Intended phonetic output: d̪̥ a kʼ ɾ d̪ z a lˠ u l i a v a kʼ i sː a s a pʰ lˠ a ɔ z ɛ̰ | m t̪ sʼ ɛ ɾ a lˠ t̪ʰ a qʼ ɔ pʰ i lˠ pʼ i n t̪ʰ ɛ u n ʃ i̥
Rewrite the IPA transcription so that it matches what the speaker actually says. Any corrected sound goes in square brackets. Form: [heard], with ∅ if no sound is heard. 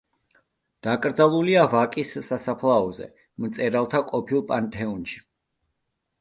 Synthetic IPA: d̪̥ a kʼ ɾ d̪ z a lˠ u l i a v a kʼ i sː a s a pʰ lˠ a ɔ z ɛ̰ | m t̪ sʼ ɛ ɾ a lˠ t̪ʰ a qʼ ɔ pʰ i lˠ pʼ [a] n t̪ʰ ɛ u n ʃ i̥